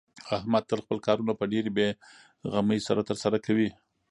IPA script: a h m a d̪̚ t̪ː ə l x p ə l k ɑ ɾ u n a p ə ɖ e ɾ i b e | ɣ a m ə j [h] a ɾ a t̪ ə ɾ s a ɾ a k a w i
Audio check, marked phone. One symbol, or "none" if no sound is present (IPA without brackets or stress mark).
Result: s